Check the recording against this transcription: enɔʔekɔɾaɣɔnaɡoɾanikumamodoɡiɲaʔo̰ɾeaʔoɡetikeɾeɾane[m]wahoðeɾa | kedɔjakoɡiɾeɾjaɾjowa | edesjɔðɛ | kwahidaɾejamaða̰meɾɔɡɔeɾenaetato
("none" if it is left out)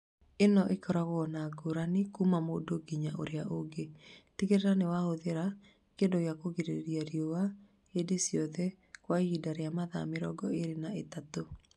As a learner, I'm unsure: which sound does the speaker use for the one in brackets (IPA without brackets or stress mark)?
none